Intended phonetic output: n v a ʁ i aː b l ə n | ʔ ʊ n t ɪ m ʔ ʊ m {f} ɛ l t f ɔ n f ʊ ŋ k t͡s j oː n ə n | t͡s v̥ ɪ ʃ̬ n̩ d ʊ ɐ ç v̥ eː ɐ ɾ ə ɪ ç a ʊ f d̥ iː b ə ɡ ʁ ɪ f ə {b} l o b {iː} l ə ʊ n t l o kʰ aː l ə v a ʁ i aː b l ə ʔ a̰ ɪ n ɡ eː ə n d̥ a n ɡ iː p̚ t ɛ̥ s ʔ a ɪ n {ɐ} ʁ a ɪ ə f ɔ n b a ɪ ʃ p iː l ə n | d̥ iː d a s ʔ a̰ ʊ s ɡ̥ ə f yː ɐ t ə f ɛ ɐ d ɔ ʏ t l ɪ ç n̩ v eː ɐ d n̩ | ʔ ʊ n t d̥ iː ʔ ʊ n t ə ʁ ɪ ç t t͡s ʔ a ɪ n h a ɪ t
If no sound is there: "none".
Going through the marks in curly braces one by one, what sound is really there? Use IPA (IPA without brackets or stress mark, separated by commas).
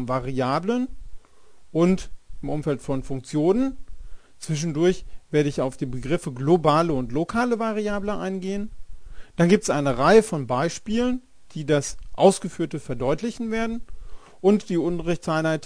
f, ɡ, aː, ə